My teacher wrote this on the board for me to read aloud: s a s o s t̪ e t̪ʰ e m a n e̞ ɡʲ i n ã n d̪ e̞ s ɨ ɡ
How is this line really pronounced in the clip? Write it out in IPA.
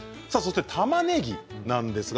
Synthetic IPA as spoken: s a s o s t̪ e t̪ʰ a m a n e̞ ɡʲ i n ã n d̪ e̞ s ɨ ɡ